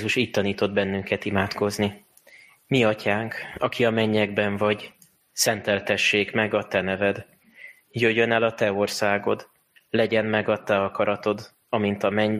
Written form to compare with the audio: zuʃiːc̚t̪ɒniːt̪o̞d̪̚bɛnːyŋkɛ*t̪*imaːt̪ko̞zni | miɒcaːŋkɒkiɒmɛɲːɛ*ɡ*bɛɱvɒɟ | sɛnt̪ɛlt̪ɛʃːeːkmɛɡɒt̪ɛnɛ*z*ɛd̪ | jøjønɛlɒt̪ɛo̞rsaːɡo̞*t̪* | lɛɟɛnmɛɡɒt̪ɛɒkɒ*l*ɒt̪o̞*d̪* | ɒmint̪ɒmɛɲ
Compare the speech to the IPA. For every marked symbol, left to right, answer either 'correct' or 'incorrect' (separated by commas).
correct, correct, incorrect, incorrect, incorrect, correct